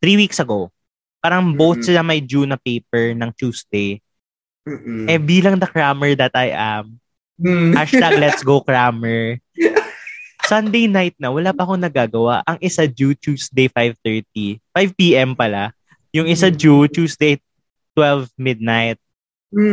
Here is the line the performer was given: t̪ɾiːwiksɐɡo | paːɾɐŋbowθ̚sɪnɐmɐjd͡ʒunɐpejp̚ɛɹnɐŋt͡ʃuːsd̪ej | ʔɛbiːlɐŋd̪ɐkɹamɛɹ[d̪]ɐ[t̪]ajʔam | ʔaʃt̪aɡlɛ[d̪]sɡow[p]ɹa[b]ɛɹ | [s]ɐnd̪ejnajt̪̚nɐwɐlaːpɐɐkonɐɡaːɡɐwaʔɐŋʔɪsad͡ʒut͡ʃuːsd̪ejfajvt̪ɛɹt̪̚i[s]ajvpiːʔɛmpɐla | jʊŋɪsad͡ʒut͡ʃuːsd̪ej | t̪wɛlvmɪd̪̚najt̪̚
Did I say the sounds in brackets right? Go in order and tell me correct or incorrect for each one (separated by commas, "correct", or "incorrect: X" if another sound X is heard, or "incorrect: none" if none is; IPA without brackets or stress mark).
correct, correct, incorrect: t̪, incorrect: k, incorrect: m, correct, incorrect: f